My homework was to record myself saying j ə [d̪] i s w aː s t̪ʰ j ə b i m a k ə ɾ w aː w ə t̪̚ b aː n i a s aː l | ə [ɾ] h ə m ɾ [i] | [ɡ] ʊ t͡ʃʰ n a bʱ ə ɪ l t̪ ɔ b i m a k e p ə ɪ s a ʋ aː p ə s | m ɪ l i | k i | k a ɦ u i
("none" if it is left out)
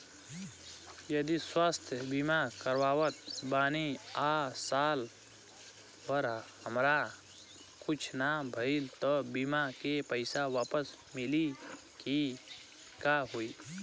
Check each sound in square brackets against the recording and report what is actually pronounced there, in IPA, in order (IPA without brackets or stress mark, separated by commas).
d̪, ɾ, a, k